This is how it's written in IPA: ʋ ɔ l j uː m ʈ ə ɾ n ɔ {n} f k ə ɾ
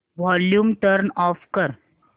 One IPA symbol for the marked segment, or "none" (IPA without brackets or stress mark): none